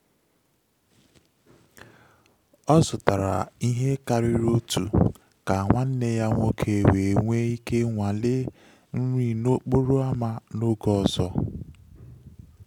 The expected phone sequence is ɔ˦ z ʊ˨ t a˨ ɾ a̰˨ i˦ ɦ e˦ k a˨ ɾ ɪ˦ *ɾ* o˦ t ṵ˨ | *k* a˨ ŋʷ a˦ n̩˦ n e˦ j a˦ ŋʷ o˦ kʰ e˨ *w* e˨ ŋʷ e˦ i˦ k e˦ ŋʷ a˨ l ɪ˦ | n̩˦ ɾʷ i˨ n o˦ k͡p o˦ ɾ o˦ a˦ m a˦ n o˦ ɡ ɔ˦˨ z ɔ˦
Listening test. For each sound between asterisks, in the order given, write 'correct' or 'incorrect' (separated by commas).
correct, correct, correct